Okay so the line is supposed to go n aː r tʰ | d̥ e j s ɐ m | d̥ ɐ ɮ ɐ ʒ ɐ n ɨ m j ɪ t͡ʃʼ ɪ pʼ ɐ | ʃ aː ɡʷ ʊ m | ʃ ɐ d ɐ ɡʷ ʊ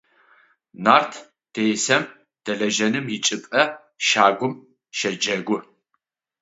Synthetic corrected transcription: n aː r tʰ | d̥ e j s ɐ m | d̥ ɐ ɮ ɐ ʒ ɐ n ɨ m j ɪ t͡ʃʼ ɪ pʼ ɐ | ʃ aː ɡʷ ʊ m | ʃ ɐ d͡ʒ ɐ ɡʷ ʊ